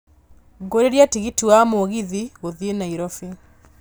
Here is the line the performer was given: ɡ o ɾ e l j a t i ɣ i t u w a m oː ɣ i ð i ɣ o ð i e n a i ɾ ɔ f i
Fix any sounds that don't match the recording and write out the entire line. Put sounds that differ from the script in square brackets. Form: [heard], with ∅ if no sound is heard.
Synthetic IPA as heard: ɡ o ɾ e [ɾ] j a t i ɣ i t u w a m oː ɣ i ð i ɣ o ð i e n a i ɾ ɔ f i